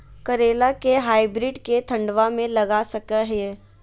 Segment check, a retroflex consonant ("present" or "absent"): present